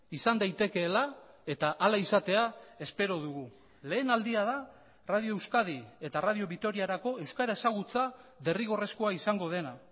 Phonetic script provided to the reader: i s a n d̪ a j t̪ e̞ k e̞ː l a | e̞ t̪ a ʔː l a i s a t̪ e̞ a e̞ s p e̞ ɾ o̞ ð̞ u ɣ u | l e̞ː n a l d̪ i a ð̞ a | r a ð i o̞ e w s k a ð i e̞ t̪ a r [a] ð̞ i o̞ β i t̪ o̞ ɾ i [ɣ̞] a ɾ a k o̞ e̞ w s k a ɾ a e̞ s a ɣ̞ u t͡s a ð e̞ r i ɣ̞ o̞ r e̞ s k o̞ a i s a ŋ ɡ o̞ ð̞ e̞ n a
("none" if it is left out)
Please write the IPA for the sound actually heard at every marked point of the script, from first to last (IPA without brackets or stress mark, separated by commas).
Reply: a, none